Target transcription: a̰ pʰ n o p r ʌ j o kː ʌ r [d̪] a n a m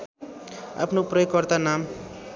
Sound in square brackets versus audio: incorrect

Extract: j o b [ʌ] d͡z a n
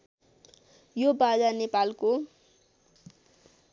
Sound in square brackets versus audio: incorrect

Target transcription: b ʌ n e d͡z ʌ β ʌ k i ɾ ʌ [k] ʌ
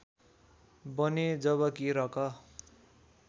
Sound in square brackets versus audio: correct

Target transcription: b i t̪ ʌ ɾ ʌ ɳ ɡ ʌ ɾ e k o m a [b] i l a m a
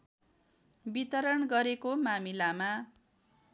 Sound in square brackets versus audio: incorrect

